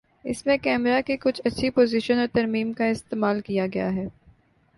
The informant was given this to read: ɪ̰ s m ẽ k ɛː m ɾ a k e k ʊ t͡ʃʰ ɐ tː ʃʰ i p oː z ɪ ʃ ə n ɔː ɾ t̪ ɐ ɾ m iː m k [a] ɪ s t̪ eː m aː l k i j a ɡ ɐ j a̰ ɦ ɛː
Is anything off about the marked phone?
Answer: no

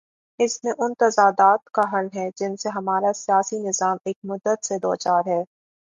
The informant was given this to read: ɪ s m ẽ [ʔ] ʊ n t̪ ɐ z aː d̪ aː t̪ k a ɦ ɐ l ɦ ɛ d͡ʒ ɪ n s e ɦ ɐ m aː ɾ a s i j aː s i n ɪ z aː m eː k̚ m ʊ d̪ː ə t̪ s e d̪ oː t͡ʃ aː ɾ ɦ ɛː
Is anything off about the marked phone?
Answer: no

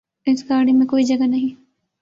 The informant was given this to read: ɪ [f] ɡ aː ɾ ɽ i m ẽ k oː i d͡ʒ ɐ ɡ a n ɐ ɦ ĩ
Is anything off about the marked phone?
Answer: yes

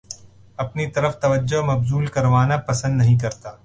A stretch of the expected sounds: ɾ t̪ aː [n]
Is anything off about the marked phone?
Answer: yes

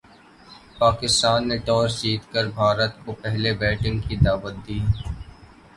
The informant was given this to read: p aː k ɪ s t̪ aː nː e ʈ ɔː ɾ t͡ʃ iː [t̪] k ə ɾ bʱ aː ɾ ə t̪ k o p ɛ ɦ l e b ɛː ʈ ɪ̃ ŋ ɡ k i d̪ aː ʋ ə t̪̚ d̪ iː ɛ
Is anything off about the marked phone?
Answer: no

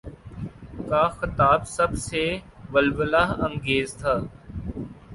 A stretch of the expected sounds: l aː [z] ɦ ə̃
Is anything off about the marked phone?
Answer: yes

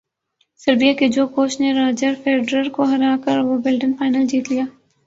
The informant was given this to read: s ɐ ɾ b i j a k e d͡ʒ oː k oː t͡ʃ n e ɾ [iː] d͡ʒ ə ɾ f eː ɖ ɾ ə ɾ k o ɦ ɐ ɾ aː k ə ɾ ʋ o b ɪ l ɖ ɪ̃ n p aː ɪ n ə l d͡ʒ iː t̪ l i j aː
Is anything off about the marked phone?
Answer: yes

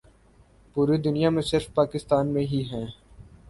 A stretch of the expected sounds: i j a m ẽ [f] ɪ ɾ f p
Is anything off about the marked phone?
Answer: yes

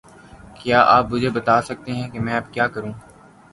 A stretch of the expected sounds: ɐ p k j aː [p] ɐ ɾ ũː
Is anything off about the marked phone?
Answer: yes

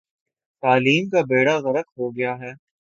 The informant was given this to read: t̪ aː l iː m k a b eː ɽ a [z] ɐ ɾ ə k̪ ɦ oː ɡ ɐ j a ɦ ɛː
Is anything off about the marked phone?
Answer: yes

